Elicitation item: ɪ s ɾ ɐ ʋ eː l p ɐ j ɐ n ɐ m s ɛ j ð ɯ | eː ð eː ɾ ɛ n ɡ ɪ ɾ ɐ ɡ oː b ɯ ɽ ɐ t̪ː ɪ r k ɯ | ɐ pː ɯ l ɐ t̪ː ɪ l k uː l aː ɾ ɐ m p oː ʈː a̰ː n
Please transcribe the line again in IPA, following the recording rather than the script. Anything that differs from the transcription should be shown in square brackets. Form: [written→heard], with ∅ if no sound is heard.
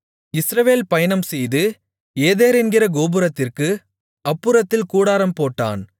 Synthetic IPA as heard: ɪ s ɾ ɐ ʋ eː l p ɐ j ɐ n ɐ m s ɛ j ð ɯ | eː ð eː ɾ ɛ n ɡ ɪ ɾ ɐ ɡ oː b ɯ [ɽ→ɾ] ɐ t̪ː ɪ r k ɯ | ɐ pː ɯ [l→ɾ] ɐ t̪ː ɪ l k uː [l→ɽ] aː ɾ ɐ m p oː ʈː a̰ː n